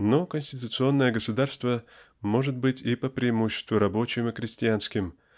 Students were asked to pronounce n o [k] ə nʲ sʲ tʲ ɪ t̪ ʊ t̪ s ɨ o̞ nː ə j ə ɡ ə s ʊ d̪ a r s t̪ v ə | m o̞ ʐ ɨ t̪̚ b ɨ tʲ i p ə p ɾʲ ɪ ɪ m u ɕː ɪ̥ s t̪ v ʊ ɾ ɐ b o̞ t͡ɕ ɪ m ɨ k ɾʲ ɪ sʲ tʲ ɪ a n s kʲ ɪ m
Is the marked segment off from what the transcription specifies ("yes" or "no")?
no